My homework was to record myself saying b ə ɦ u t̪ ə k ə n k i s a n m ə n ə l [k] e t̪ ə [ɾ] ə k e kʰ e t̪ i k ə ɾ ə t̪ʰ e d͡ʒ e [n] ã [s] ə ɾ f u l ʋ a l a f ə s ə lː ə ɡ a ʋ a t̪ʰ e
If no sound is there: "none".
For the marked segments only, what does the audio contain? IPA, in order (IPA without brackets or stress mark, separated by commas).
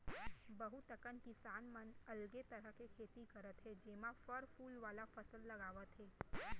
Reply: ɡ, ɾ, m, f